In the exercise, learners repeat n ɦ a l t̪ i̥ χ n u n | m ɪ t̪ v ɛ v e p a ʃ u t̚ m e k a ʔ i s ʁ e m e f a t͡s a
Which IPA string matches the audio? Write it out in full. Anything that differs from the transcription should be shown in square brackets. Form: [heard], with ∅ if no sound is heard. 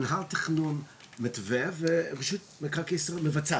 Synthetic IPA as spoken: n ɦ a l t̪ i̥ χ n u n | m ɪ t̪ v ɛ v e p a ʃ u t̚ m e k a [k] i s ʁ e m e [v] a t͡s a